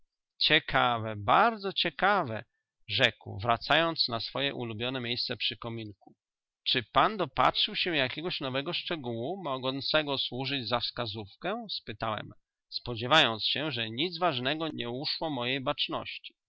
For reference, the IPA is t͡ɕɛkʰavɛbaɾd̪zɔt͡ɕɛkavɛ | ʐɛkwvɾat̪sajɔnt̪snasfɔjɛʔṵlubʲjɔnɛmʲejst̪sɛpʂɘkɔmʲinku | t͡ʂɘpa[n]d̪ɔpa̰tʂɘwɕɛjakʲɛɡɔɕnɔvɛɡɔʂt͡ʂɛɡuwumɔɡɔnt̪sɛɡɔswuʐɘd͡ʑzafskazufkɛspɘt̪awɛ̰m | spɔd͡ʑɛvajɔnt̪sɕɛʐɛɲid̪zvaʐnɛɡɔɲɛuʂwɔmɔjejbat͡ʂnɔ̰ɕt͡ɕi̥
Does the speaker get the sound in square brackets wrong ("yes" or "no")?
no